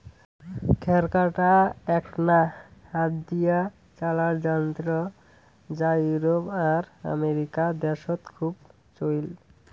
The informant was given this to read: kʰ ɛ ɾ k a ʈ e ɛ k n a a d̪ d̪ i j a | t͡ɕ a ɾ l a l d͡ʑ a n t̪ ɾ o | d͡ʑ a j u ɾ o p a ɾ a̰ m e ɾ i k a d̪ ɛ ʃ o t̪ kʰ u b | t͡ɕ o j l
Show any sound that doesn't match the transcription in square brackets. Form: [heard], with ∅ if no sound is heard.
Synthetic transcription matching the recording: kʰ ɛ ɾ k a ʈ [a] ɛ k n a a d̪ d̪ i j a | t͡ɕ a [∅] l a [ɾ] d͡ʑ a n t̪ ɾ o | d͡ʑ a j u ɾ o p a ɾ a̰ m e ɾ i k a d̪ ɛ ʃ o t̪ kʰ u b | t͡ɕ o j l